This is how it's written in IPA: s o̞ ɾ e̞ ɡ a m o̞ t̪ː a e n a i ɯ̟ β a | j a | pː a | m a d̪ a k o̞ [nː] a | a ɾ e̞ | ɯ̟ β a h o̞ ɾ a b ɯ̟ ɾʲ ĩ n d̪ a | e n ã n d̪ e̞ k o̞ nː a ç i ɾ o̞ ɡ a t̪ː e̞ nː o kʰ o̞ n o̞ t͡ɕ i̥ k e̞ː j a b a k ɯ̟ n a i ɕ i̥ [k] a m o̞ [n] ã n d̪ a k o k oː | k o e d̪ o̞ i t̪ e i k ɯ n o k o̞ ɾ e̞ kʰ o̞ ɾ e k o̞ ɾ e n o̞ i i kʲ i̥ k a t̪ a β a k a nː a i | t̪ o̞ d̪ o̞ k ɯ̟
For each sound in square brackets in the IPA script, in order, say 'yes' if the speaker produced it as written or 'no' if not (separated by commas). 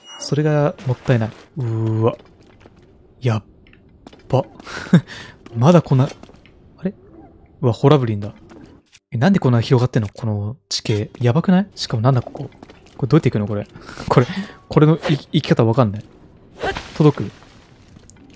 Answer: yes, yes, yes